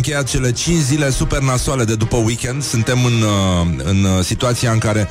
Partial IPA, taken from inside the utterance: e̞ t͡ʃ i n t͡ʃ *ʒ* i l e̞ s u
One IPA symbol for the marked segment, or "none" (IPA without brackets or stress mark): z